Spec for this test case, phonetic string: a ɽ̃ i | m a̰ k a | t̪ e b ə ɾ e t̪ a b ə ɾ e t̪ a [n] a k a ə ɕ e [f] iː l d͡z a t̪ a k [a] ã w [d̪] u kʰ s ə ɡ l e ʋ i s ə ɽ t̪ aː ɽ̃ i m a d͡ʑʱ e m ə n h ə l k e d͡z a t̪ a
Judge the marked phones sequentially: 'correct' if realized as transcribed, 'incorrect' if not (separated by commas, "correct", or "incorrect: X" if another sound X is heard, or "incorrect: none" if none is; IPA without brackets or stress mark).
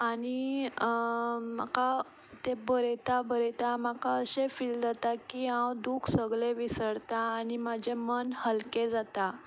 incorrect: m, correct, incorrect: i, correct